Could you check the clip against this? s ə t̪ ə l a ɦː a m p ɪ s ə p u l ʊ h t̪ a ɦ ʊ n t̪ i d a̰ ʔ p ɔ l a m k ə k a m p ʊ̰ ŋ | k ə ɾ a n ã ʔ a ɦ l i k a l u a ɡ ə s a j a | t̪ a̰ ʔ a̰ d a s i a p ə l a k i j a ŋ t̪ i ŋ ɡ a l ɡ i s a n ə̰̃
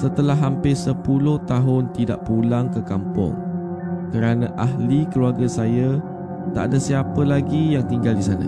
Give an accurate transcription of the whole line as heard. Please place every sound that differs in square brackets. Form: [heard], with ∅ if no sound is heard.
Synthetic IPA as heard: s ə t̪ ə l a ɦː a m p ɪ s ə p u l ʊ h t̪ a ɦ ʊ n t̪ i d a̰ ʔ p [u] l a [ŋ] k ə k a m p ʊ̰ ŋ | k ə ɾ a n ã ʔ a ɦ l i k [ə] l u a ɡ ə s a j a | t̪ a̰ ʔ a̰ d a s i a p ə l a [ɡ] i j a ŋ t̪ i ŋ ɡ a l [d] i s a n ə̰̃